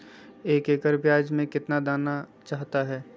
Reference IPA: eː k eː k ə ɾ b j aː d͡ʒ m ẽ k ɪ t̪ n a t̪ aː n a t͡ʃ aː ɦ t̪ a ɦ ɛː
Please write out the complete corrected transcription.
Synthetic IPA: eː k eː k ə ɾ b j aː d͡ʒ m ẽ k ɪ t̪ n a d̪ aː n a t͡ʃ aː ɦ t̪ a ɦ ɛː